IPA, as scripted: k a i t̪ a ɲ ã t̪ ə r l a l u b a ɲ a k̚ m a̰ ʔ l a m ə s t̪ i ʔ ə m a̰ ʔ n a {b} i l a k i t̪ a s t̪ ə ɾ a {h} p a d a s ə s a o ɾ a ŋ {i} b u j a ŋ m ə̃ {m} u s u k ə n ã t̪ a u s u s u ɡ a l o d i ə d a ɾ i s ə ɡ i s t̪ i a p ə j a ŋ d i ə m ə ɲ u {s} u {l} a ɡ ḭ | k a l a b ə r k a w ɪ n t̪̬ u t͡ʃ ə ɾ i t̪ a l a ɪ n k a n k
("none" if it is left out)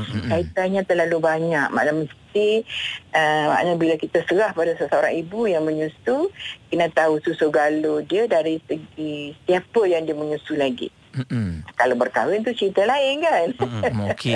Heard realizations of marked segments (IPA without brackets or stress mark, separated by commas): b, h, i, ɲ, s, l